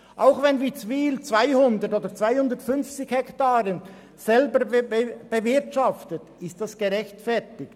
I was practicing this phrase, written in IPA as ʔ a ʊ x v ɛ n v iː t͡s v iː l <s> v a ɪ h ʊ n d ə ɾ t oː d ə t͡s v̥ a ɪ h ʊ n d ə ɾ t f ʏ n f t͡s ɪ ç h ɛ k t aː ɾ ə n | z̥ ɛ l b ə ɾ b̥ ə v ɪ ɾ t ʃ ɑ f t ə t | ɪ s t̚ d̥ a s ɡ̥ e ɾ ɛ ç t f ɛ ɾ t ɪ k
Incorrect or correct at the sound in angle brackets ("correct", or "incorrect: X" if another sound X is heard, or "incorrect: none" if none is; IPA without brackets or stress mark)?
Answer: incorrect: t͡s